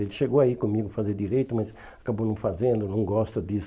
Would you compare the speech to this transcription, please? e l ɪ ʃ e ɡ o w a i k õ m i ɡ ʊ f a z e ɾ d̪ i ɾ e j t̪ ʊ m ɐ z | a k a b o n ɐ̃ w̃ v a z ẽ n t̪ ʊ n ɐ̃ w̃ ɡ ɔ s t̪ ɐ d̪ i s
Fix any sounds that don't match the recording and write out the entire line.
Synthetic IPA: e l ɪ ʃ e ɡ o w a i k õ m i ɡ ʊ f a z e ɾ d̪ i ɾ e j t̪ ʊ m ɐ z | a k a b o n ɐ̃ w̃ f a z ẽ n d̪ ʊ n ɐ̃ w̃ ɡ ɔ s t̪ ɐ d̪ i s